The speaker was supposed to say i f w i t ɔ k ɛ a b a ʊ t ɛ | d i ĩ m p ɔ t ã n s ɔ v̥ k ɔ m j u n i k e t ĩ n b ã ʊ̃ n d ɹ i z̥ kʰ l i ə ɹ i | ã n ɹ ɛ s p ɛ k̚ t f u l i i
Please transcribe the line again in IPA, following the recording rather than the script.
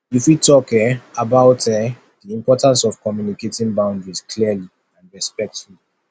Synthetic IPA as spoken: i f w i t ɔ k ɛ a b a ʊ t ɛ | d i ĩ m p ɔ t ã n s ɔ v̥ k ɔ m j u n i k e t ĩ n b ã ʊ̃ n d ɹ i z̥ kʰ l i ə l i | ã n ɹ ɛ s p ɛ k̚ t f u l i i